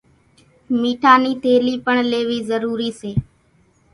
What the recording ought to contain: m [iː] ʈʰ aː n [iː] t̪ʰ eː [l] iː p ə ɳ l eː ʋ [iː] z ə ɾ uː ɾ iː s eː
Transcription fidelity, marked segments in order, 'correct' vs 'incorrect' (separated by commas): correct, correct, correct, correct